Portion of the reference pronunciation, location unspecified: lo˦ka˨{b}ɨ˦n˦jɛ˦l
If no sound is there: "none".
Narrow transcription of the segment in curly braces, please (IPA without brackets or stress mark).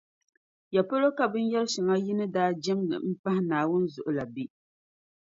b